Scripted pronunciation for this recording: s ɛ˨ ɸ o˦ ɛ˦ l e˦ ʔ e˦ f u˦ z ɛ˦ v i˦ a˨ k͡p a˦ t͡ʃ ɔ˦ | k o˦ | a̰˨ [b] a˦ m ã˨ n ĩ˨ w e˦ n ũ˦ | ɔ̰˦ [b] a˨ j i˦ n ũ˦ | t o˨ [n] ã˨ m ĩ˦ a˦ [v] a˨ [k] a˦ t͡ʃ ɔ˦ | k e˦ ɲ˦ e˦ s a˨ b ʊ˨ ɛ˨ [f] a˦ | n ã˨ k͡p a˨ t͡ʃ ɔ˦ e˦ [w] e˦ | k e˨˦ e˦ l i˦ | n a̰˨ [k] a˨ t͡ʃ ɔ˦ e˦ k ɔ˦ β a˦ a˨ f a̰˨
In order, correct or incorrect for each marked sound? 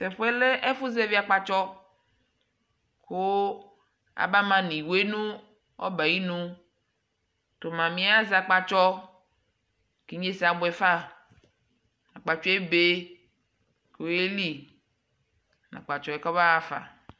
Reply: correct, correct, incorrect: m, incorrect: z, incorrect: k͡p, correct, incorrect: b, incorrect: k͡p

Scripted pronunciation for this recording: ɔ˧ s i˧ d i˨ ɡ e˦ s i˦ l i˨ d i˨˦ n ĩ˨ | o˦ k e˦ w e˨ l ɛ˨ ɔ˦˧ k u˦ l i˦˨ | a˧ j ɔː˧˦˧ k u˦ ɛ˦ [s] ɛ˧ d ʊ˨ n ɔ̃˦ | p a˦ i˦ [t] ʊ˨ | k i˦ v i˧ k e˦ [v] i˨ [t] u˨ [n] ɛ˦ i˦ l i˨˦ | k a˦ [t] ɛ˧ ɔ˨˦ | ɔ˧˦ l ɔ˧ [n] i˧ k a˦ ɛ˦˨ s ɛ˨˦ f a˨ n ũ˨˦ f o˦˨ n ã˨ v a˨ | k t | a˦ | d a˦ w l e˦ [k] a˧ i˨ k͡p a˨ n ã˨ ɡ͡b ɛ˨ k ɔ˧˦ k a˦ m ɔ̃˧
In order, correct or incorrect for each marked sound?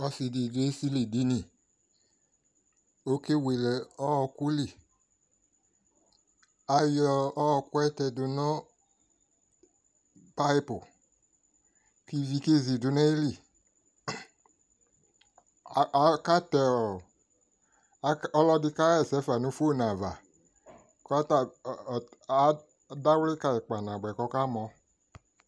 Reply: incorrect: t, incorrect: p, incorrect: z, incorrect: d, correct, correct, incorrect: d, correct

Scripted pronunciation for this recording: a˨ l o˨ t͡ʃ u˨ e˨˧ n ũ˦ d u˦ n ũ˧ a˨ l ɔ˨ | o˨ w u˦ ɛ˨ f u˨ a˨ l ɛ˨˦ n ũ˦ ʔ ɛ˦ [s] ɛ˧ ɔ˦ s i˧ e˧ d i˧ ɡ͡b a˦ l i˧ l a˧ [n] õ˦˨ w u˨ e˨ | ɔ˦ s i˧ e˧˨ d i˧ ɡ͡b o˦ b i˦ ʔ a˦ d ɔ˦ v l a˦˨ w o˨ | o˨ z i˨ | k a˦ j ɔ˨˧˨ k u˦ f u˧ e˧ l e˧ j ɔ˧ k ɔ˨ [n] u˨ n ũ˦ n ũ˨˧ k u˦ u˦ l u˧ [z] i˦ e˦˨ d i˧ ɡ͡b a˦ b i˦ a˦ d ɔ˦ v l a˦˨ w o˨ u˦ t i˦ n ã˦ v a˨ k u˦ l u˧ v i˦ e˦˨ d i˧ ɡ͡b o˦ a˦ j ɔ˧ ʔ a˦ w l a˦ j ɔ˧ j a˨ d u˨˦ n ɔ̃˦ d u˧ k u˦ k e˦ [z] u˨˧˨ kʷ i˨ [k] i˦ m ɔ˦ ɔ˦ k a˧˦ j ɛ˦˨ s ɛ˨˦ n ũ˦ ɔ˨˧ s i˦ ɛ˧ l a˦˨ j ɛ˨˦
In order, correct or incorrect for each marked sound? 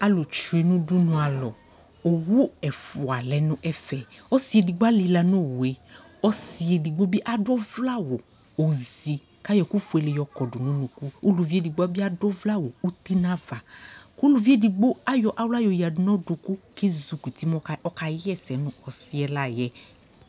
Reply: incorrect: f, correct, incorrect: d, incorrect: v, correct, incorrect: t

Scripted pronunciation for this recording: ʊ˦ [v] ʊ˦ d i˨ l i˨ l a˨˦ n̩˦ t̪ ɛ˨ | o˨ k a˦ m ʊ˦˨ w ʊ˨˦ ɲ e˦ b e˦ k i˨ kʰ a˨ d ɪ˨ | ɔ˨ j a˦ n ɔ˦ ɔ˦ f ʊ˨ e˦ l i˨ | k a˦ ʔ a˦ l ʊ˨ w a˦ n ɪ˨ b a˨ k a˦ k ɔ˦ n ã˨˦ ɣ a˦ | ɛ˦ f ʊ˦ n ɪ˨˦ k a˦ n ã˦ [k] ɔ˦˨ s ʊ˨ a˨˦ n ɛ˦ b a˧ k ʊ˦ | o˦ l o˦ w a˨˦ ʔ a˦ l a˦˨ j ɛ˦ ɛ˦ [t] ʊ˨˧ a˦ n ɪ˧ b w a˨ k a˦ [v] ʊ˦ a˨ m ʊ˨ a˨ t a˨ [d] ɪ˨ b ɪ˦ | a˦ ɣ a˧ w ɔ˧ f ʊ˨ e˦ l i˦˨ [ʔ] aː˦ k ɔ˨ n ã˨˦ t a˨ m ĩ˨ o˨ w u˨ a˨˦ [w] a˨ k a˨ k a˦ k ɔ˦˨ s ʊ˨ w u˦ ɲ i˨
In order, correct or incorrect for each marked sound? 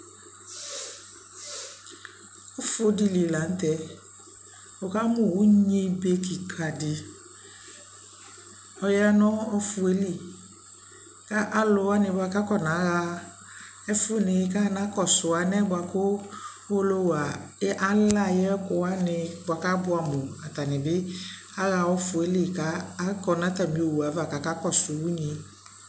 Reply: incorrect: f, correct, incorrect: k, incorrect: b, incorrect: n, incorrect: k, incorrect: v

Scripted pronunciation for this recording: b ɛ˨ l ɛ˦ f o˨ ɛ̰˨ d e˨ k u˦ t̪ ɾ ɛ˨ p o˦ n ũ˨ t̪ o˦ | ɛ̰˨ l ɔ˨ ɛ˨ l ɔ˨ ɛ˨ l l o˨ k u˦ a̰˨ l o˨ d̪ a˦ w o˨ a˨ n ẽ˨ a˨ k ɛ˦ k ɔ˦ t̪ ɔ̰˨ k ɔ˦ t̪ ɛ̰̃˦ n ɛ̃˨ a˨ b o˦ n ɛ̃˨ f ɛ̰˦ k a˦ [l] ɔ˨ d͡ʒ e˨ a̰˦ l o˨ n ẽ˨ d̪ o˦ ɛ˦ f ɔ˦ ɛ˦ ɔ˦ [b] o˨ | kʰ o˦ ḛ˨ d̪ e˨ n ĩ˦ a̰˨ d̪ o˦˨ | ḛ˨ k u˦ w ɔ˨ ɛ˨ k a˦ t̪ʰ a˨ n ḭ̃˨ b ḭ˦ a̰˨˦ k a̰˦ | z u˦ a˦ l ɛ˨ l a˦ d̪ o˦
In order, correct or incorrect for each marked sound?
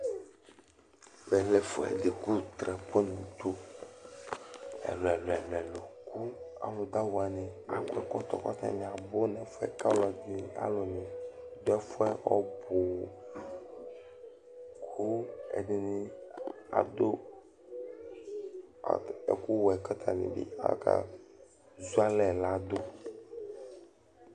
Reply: correct, correct

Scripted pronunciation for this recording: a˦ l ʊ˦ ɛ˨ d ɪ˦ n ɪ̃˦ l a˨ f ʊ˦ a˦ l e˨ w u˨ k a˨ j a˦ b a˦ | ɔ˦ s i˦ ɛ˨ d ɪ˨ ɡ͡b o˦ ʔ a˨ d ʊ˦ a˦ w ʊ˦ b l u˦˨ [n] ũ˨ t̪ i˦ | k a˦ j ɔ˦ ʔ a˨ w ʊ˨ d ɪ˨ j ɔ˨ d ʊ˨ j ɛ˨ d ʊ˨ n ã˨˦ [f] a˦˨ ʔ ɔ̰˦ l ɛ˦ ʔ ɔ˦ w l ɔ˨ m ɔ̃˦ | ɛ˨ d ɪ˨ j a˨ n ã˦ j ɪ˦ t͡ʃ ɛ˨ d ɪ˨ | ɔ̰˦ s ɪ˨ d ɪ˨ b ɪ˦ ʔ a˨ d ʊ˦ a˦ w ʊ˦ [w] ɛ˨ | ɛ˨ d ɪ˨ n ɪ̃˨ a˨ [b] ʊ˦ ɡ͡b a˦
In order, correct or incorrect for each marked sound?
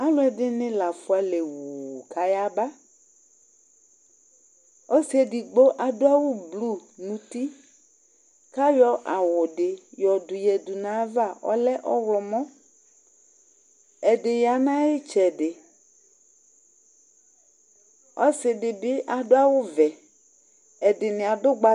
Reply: correct, incorrect: v, incorrect: v, incorrect: d

